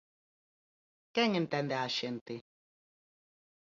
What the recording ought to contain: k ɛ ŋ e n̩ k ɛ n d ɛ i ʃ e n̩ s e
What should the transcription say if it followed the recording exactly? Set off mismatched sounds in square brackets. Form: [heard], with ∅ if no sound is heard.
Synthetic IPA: k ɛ ŋ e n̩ [t] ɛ n d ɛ [a] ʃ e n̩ [t] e